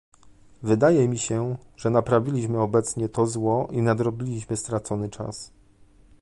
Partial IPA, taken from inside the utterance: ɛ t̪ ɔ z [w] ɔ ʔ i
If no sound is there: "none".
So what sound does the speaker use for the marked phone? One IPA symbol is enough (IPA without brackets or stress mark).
w